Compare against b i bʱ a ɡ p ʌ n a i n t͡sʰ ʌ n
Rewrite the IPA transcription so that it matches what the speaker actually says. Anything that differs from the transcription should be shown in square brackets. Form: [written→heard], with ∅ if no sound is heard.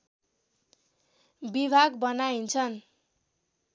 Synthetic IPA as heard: b i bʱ a ɡ [p→b] ʌ n a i n t͡sʰ ʌ n

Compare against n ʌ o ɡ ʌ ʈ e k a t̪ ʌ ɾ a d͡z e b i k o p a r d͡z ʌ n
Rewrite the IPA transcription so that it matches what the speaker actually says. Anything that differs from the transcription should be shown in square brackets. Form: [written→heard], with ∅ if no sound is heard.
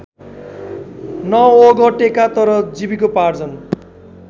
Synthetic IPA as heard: n ʌ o ɡ ʌ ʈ e k a t̪ ʌ ɾ [a→ʌ] d͡z [e→i] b i k o p a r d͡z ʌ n

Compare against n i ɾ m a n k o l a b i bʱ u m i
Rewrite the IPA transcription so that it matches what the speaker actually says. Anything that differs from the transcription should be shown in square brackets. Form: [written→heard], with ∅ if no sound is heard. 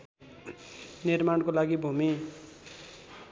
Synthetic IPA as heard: n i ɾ m a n k o l a [b→ɡ] i bʱ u m i

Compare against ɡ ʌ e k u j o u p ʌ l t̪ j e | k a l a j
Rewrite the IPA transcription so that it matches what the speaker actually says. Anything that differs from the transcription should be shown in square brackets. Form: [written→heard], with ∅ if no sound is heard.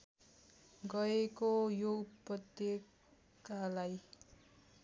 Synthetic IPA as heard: ɡ ʌ e k [u→o] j o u p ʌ [l→∅] t̪ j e | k a l a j

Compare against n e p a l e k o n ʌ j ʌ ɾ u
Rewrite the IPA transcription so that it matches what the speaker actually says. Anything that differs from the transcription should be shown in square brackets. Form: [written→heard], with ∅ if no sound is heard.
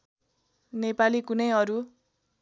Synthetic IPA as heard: n e p a l [e→i] k [o→u] n ʌ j ʌ ɾ u

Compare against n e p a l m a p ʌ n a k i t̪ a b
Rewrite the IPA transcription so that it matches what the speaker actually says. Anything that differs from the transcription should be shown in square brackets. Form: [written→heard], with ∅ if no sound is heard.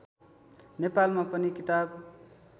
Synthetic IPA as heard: n e p a l m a p ʌ n [a→i] k i t̪ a b

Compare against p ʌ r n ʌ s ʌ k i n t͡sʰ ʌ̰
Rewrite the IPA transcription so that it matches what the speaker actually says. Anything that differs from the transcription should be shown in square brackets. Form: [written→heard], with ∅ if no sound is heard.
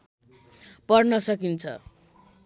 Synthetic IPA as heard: p ʌ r n ʌ s ʌ k i n t͡sʰ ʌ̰

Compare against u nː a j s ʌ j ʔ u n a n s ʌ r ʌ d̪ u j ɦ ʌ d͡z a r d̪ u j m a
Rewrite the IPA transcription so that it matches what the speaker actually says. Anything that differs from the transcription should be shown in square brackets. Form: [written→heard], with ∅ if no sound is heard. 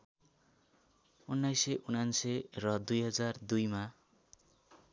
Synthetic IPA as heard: u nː a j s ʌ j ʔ u n a n s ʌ r ʌ d̪ u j ɦ ʌ d͡z a r d̪ u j m a

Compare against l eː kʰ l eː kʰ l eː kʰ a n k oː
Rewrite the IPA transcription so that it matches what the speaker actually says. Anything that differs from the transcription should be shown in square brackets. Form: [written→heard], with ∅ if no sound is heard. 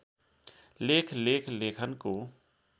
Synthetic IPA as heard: l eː kʰ l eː kʰ l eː kʰ [a→ə] n k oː

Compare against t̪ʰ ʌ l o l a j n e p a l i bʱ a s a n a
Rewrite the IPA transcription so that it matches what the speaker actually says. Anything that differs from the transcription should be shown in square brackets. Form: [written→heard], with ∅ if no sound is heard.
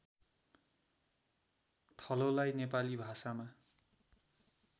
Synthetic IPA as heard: t̪ʰ ʌ l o l a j n e p a l i bʱ a s a [n→m] a

